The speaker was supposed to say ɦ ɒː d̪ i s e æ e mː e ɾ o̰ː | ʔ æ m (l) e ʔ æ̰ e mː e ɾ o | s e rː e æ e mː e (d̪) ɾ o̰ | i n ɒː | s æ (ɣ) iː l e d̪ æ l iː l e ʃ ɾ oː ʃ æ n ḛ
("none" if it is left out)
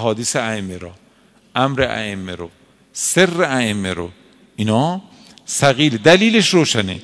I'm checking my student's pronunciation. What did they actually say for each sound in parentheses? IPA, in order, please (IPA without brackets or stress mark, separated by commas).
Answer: ɾ, none, ɣ